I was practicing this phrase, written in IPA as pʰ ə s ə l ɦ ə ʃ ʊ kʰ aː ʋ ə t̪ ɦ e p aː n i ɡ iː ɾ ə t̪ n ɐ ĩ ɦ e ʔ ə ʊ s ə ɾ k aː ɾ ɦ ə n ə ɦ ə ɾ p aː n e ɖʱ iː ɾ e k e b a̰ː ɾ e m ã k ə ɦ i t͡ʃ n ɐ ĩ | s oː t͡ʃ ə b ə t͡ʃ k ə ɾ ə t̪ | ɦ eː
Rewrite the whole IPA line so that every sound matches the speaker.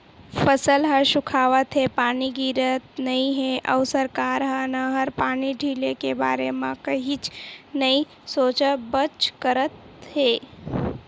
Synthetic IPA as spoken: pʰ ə s ə l ɦ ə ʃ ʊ kʰ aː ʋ ə t̪ ɦ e p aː n i ɡ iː ɾ ə t̪ n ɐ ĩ ɦ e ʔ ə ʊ s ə ɾ k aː ɾ ɦ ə n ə ɦ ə ɾ p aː n i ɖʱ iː l e k e b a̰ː ɾ e m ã k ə ɦ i t͡ʃ n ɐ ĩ | s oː t͡ʃ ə b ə t͡ʃ k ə ɾ ə t̪ | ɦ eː